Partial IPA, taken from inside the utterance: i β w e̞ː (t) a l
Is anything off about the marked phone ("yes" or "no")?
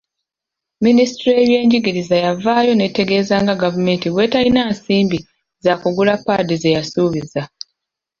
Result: no